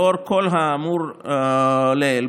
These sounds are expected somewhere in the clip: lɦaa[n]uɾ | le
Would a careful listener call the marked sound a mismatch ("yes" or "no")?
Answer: yes